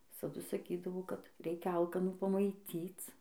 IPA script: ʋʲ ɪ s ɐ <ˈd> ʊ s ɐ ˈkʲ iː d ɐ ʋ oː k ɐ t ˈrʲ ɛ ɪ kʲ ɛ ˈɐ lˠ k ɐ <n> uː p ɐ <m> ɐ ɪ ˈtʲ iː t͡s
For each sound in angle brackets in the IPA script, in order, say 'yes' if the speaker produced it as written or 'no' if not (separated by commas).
yes, yes, yes